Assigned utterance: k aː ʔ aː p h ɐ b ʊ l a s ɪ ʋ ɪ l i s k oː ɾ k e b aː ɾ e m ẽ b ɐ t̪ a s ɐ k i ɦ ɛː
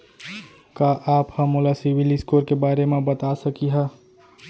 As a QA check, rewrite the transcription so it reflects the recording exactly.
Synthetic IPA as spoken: k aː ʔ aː p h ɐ m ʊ l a s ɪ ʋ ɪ l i s k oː ɾ k e b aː ɾ e m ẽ b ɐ t̪ a s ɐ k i ɦ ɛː